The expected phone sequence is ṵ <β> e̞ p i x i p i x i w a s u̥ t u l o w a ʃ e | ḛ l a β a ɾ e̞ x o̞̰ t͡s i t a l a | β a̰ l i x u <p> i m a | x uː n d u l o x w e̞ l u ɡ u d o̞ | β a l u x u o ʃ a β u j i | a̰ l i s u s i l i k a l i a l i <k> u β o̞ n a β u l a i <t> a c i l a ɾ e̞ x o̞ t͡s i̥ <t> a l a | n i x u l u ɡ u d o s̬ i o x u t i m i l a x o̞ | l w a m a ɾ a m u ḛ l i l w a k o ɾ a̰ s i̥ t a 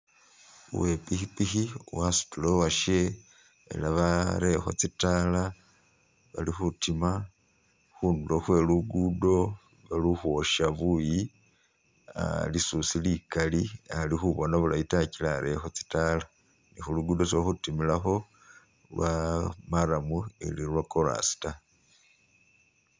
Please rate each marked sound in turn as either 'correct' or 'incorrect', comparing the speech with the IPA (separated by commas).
incorrect, incorrect, incorrect, correct, correct